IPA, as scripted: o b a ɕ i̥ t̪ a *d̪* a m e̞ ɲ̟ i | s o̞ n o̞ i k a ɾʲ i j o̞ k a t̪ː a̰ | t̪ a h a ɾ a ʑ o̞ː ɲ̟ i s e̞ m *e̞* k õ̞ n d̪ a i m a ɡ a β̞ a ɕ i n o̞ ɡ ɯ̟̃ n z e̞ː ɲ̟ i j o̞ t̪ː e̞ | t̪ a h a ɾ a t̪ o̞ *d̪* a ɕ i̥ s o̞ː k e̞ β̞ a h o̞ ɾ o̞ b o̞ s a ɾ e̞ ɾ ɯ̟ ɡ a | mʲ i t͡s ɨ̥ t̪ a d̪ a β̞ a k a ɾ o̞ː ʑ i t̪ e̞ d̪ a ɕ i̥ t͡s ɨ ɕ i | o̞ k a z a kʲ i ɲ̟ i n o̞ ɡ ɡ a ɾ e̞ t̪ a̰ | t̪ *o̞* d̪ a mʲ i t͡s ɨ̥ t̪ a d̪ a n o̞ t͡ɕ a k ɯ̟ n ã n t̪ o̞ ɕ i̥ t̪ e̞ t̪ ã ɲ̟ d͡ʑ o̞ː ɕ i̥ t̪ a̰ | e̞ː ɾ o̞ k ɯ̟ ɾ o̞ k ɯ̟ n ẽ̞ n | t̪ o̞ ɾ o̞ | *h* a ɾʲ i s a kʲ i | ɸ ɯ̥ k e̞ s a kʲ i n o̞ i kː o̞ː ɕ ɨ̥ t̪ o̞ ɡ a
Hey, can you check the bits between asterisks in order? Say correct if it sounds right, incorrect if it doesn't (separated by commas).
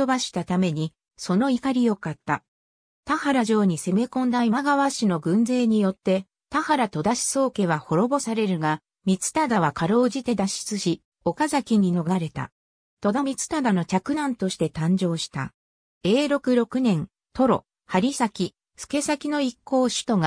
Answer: incorrect, correct, correct, correct, correct